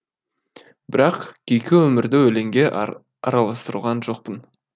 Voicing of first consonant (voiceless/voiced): voiced